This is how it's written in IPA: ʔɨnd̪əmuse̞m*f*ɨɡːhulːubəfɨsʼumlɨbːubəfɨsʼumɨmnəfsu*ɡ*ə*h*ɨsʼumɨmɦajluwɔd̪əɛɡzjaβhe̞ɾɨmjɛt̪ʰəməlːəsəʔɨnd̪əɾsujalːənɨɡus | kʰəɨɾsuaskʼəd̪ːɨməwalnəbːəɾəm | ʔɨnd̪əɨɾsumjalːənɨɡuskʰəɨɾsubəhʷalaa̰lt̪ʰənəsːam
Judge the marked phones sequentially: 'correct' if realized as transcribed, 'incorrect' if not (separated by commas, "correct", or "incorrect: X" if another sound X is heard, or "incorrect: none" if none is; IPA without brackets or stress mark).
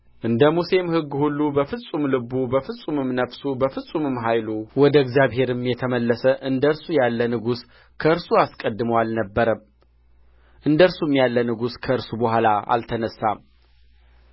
incorrect: h, incorrect: b, incorrect: f